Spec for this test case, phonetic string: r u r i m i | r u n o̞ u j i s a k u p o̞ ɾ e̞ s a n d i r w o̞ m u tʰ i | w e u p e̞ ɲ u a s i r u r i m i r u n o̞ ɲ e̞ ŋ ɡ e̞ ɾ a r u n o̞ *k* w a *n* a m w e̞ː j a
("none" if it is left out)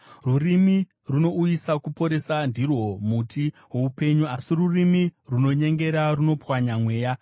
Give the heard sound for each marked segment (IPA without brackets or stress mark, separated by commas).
p, ɲ